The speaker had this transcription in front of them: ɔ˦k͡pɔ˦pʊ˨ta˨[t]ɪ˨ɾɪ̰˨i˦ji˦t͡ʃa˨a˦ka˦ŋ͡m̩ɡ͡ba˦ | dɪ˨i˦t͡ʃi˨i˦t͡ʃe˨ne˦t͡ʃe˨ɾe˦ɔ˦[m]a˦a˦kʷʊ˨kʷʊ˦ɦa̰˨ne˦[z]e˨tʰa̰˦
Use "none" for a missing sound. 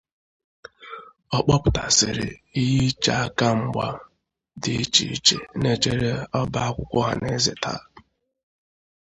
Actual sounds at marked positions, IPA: s, b, z

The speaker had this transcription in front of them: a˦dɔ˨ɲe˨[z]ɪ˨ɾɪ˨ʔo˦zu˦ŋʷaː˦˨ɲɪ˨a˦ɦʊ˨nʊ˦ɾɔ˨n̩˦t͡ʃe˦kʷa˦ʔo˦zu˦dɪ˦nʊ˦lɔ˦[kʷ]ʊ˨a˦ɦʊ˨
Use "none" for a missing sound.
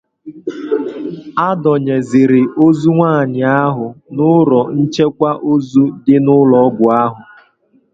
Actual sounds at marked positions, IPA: z, ɡʷ

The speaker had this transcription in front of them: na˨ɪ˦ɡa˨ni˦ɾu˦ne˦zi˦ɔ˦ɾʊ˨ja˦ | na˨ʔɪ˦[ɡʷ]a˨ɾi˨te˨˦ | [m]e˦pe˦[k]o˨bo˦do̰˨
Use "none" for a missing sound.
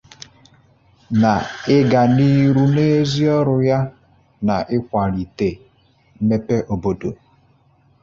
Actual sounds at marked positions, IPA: kʷ, m, ʔ

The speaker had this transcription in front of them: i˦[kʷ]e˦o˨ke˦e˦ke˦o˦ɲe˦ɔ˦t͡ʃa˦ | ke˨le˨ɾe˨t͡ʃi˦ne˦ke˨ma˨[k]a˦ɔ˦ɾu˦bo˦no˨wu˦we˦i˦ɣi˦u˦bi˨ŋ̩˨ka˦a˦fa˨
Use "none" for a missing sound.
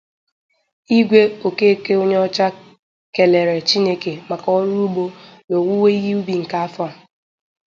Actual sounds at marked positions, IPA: ɡʷ, k

